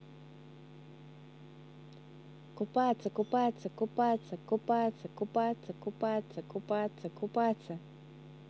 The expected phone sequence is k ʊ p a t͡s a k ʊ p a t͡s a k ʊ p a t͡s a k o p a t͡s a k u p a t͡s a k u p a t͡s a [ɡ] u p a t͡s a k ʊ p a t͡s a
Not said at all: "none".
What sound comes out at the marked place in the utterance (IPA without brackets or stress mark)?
k